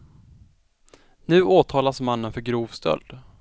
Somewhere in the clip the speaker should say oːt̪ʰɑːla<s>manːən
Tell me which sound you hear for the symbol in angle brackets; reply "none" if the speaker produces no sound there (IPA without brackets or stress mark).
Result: s